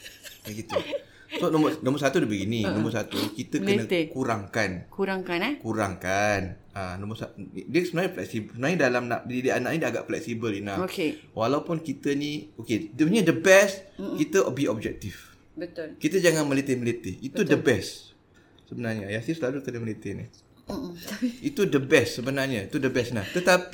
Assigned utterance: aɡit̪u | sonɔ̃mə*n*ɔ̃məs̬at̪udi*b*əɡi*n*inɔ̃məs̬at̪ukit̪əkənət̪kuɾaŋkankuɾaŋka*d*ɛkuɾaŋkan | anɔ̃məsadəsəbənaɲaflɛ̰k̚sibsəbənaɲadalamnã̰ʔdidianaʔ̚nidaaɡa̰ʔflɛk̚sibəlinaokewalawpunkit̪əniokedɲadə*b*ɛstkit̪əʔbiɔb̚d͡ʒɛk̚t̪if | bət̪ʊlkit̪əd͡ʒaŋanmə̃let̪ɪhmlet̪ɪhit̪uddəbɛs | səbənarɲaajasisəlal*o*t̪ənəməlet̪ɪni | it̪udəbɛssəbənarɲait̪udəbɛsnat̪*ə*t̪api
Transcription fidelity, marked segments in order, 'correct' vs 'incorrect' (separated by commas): correct, correct, correct, incorrect, correct, incorrect, correct